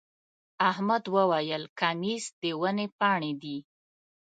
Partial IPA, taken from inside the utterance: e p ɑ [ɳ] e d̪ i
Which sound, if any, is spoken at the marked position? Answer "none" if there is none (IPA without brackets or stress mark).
ɳ